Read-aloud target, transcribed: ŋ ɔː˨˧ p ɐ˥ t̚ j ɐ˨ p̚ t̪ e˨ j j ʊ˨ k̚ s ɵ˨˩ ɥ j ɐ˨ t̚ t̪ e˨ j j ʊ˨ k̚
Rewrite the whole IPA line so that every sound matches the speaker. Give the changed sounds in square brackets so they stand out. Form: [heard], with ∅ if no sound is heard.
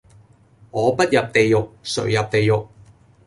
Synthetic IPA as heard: ŋ ɔː˨˧ p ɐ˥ t̚ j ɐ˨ p̚ t̪ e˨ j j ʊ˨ k̚ s ɵ˨˩ ɥ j ɐ˨ [p̚] t̪ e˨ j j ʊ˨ k̚